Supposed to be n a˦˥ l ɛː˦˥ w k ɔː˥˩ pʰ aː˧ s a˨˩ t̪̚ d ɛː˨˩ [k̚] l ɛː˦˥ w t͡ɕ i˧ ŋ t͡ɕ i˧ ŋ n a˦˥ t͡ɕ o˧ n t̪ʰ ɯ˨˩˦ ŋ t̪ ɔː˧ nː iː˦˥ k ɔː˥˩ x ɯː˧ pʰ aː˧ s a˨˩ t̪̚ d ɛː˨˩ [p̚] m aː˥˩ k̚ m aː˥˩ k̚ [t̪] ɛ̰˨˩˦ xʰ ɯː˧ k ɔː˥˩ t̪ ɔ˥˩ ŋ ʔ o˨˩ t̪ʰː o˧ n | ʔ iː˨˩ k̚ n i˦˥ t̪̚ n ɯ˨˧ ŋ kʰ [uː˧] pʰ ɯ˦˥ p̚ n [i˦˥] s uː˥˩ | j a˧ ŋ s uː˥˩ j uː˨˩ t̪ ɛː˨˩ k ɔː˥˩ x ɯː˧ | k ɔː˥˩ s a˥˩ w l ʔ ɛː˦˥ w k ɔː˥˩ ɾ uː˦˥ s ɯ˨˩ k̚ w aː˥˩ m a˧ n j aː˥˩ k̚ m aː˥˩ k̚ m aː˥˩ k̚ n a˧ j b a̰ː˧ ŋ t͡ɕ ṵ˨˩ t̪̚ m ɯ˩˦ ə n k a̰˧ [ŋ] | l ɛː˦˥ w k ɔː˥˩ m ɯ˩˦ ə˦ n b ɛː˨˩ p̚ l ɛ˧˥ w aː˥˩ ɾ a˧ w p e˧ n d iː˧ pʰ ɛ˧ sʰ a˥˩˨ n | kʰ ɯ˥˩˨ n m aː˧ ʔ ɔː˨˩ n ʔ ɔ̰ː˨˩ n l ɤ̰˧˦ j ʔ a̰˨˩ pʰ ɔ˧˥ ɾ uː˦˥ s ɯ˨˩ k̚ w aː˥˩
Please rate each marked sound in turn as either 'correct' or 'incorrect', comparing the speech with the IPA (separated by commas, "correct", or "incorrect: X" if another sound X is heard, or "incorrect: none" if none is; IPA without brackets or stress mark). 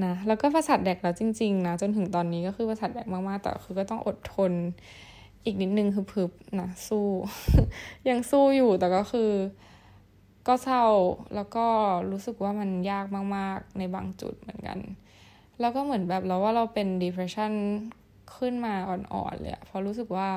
correct, incorrect: k̚, correct, incorrect: ɯː˧, incorrect: a˦˥, incorrect: n